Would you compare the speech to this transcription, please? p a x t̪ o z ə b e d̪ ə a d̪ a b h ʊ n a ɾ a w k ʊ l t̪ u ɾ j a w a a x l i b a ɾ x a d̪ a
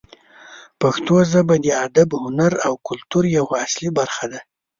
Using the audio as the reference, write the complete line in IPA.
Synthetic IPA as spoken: p a x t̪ o z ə b a d̪ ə a d̪ a b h ʊ n a ɾ a w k ʊ l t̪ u ɾ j a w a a s l i b a ɾ x a d̪ a